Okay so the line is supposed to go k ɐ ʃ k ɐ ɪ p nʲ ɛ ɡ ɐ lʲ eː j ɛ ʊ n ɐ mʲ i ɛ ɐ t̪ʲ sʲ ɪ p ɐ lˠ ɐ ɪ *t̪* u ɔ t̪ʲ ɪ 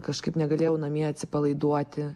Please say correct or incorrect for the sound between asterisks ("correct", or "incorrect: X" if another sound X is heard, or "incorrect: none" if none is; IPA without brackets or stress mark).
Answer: incorrect: d̪